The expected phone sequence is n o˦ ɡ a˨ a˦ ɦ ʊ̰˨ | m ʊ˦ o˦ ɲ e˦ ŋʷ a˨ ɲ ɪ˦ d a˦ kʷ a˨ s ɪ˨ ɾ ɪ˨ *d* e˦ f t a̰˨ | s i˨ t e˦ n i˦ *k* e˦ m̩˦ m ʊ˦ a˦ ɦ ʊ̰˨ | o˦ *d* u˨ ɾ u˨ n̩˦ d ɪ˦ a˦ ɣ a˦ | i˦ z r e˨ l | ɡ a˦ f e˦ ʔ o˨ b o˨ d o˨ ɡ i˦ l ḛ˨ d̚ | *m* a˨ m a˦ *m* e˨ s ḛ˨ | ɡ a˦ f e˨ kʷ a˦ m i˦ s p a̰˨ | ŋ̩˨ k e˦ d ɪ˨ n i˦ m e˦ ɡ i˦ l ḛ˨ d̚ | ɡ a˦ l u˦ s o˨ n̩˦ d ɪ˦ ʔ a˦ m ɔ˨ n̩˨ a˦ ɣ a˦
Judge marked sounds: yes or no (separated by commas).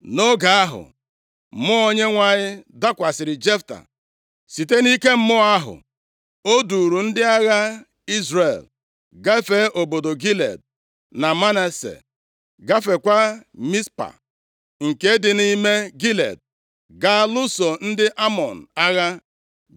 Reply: no, yes, yes, no, no